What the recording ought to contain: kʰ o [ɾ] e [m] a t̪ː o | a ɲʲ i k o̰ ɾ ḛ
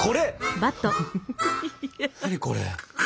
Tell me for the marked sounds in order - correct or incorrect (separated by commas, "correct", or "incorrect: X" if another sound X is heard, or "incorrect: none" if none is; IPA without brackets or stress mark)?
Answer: correct, incorrect: b